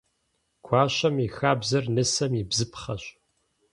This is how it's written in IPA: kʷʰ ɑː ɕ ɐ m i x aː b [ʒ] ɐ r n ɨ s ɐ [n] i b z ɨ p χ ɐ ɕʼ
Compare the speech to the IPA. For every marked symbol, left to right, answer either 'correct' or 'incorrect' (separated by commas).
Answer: incorrect, incorrect